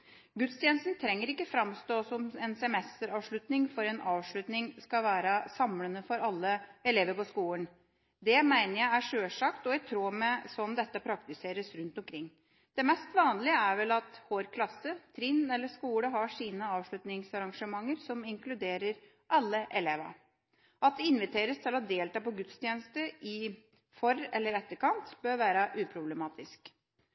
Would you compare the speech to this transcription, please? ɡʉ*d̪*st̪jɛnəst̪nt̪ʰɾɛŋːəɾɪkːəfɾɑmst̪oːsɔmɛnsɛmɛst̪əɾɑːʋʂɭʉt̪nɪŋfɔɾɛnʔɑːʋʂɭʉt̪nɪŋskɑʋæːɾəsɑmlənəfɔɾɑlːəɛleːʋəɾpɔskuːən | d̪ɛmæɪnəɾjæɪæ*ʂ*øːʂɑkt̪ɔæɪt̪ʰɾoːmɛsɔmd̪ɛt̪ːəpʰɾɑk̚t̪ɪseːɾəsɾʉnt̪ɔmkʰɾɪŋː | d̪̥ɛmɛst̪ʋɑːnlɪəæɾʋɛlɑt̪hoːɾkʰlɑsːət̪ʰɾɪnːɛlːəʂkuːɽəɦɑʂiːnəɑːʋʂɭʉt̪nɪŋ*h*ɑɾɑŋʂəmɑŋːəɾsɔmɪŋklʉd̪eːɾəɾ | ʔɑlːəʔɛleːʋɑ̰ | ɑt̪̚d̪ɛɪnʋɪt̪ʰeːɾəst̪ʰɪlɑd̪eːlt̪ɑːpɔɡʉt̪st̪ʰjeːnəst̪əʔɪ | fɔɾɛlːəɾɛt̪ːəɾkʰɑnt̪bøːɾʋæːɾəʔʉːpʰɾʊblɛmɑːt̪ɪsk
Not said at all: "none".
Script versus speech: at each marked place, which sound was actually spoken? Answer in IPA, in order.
t̪, ʂ, s

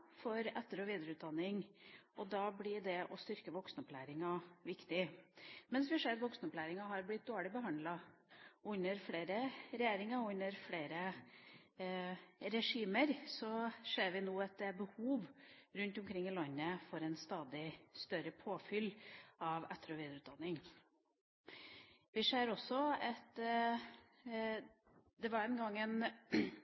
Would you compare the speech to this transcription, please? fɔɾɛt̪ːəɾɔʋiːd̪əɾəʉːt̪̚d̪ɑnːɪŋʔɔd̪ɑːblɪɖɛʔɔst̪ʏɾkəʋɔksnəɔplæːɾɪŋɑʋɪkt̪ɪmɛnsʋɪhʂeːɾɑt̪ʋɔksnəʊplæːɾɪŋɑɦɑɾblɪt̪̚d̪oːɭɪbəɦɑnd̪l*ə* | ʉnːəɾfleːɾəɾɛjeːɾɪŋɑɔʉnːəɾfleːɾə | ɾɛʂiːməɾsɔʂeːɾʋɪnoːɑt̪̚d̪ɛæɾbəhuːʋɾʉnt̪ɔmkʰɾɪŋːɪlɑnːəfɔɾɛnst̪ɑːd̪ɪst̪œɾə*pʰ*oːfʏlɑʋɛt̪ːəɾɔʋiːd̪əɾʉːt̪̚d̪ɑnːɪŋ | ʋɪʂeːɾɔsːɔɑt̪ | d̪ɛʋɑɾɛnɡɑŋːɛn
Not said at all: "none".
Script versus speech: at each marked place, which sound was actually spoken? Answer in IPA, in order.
ɑ, pʰ

